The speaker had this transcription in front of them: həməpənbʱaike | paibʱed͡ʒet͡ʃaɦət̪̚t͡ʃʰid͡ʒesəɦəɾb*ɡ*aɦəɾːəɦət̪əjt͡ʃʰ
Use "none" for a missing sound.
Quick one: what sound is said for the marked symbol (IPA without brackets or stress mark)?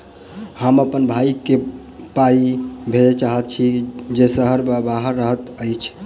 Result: b